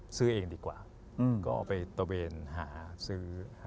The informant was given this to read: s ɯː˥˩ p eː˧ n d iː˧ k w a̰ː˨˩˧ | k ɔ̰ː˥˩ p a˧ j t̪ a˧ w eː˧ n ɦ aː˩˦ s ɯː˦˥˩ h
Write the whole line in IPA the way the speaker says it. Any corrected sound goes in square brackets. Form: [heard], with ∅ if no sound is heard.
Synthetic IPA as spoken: s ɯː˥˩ [ʔ] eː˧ [ŋ] d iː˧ k w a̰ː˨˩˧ | k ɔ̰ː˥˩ p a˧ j t̪ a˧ w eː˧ n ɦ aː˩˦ s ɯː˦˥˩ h